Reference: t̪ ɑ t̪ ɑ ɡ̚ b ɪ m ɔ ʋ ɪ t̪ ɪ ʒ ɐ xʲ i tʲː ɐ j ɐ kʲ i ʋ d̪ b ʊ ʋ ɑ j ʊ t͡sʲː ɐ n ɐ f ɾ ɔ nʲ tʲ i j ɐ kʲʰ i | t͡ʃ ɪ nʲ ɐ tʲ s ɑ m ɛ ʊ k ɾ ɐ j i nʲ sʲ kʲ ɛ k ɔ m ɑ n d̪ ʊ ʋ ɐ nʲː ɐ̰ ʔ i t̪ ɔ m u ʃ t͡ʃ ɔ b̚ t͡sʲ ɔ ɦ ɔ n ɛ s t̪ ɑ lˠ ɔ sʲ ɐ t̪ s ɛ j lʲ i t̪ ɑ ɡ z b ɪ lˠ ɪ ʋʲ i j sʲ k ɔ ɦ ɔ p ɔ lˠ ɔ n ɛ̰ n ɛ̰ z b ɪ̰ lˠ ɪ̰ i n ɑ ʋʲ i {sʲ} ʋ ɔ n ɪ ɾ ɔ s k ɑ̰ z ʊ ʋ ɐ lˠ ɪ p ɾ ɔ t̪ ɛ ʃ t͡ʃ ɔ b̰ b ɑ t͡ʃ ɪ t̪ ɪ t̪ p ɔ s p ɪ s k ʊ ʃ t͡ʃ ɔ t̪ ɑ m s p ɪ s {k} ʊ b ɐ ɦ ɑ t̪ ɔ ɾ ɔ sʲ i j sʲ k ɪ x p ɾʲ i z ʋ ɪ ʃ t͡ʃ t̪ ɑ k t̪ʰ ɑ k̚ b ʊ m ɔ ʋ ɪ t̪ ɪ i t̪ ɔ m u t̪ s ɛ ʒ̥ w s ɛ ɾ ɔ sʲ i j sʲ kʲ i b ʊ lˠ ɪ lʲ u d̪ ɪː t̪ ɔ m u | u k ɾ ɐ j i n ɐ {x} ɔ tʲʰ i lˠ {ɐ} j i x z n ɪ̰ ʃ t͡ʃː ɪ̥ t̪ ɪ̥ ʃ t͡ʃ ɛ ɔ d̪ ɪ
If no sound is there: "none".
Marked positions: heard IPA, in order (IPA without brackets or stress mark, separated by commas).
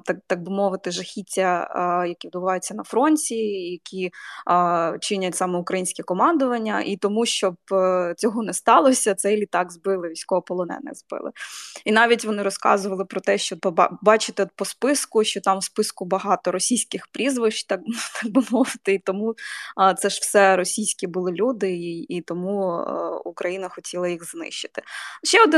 tʲ, k, x, ɐ